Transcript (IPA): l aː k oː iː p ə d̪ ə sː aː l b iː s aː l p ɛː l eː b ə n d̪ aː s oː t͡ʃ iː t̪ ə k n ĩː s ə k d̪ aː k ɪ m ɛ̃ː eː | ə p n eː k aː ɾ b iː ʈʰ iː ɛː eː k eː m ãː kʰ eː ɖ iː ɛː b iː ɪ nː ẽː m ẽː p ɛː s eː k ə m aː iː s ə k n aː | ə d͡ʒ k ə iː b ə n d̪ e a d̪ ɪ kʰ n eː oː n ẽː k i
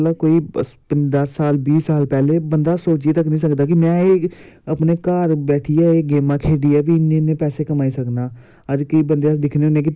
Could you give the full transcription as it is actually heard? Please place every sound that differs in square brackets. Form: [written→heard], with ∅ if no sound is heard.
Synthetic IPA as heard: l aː k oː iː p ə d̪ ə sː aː l b iː s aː l p ɛː l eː b ə n d̪ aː s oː t͡ʃ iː t̪ ə k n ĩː s ə k d̪ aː k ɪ m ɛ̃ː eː | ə p n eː k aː ɾ b [iː→ɛː] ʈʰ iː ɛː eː [k→ɡ] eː m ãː kʰ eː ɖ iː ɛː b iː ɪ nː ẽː [m→n] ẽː p ɛː s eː k ə m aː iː s ə k n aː | ə d͡ʒ k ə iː b ə n d̪ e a d̪ ɪ kʰ n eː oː n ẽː k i